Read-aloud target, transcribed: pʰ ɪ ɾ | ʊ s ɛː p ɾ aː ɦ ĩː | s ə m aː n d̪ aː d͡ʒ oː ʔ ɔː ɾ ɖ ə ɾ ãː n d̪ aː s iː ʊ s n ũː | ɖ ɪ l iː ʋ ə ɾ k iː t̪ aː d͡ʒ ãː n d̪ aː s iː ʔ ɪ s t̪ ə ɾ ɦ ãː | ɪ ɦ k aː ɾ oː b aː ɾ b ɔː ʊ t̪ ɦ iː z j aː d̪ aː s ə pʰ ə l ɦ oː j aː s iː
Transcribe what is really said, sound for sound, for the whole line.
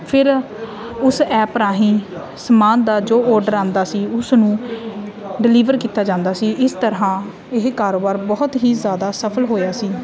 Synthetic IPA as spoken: pʰ ɪ ɾ | ʊ s ɛː p ɾ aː ɦ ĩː | s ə m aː n d̪ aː d͡ʒ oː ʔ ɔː ɾ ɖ ə ɾ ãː n d̪ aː s iː ʊ s n ũː | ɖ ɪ l iː ʋ ə ɾ k iː t̪ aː d͡ʒ ãː n d̪ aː s iː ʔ ɪ s t̪ ə ɾ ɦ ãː | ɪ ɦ k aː ɾ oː b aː ɾ b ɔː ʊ t̪ ɦ iː z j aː d̪ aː s ə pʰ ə l ɦ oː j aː s iː